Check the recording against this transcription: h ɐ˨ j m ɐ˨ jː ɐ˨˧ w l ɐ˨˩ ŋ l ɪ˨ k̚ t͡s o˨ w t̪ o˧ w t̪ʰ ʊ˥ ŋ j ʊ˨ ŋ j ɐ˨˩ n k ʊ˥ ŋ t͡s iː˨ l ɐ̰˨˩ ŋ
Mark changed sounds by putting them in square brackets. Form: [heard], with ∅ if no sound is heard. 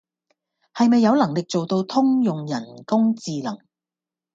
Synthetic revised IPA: h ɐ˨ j m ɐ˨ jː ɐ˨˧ w l ɐ˨˩ ŋ l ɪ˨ k̚ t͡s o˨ w t̪ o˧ w t̪ʰ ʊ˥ ŋ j ʊ˨ ŋ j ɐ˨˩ n k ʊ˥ ŋ t͡s iː˨ l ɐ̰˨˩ ŋ